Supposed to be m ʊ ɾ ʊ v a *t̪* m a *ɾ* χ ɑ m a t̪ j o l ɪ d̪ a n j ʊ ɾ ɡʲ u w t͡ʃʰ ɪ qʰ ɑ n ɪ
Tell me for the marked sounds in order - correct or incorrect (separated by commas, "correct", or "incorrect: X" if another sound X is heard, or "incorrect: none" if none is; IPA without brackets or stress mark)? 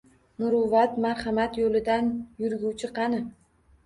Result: correct, correct